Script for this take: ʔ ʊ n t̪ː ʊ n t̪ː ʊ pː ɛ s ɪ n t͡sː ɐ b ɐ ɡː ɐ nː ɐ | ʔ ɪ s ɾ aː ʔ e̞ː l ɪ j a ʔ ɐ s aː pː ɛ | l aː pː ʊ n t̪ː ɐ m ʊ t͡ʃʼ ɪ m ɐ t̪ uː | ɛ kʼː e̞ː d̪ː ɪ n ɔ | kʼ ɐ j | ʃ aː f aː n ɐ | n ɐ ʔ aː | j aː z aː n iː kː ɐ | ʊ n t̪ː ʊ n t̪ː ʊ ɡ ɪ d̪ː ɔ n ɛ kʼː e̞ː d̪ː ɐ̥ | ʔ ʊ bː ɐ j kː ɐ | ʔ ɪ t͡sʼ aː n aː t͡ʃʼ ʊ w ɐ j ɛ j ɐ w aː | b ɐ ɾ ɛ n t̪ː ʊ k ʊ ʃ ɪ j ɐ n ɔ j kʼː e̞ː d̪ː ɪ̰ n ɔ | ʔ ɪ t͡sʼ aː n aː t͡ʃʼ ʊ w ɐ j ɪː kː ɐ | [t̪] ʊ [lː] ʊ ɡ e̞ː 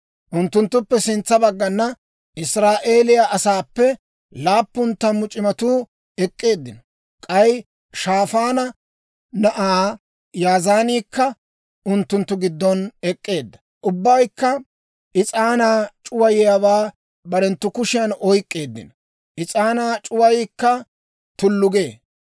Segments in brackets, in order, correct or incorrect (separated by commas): correct, correct